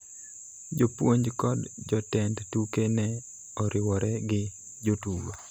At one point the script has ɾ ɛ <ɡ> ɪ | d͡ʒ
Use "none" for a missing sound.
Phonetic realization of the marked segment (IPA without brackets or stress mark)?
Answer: ɡ